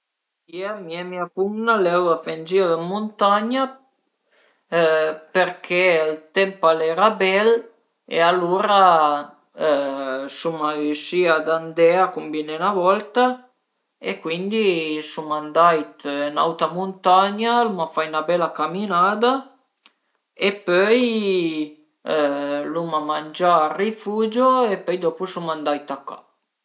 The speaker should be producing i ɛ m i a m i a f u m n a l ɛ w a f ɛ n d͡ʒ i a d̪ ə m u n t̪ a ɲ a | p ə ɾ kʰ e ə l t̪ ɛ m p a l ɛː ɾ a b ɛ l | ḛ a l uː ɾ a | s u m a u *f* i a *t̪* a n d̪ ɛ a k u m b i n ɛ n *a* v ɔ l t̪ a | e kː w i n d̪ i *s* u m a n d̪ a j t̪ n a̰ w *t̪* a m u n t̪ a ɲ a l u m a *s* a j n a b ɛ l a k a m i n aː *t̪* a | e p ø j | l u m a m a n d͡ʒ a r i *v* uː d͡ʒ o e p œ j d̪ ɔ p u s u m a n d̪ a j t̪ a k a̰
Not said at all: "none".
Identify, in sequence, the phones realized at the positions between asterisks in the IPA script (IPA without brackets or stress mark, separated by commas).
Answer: ʃ, d̪, a, s, t̪, f, d̪, f